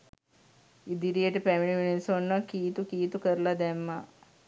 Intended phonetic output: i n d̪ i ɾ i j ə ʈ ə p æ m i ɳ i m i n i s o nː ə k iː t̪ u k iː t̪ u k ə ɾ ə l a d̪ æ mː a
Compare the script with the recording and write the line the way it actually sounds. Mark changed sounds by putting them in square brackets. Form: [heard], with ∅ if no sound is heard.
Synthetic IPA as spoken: i [∅] d̪ i ɾ i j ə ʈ ə p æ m i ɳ i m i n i s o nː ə k iː t̪ u k iː t̪ u k ə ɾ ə l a d̪ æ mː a